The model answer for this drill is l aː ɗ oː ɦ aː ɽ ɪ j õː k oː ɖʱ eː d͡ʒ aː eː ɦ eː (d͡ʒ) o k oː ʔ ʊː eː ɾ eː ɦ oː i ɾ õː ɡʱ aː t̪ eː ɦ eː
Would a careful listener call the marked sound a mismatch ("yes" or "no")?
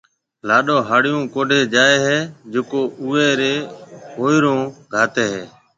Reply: no